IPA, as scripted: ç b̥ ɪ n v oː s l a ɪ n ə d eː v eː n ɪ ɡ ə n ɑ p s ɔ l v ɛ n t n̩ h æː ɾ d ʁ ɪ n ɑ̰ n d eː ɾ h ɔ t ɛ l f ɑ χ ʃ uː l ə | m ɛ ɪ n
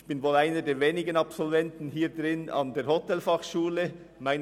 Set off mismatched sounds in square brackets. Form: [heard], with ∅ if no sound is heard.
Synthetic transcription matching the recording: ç b̥ ɪ n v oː [∅] l a ɪ n ə d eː v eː n ɪ ɡ ə n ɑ p s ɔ l v ɛ n t n̩ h [iː] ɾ d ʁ ɪ n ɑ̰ n d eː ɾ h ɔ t ɛ l f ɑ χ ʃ uː l ə | m [a] ɪ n